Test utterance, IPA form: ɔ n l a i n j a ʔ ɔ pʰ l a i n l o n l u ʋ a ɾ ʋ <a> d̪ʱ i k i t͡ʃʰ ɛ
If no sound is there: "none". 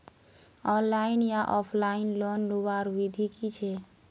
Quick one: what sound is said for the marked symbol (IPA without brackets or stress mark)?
i